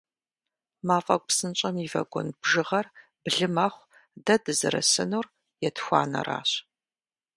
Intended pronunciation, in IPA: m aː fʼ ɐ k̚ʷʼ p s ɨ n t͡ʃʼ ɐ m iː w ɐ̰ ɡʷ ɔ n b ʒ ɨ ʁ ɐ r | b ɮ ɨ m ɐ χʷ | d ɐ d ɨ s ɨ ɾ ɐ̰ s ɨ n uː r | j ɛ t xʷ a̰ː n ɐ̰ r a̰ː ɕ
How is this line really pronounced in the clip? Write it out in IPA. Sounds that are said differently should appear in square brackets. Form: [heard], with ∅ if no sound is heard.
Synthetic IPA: m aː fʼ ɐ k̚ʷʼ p s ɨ n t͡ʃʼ ɐ m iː [v] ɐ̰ ɡʷ ɔ n b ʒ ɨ ʁ ɐ r | b ɮ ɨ m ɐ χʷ | d ɐ d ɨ [z] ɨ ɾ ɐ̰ s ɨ n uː r | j ɛ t xʷ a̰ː n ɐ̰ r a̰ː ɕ